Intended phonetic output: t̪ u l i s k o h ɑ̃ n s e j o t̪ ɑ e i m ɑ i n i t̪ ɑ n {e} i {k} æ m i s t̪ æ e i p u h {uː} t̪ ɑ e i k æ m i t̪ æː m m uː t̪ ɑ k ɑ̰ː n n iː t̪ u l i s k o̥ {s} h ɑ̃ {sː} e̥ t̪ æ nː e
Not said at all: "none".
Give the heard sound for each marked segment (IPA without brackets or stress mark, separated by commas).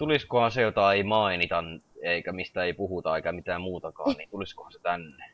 e, k, u, none, s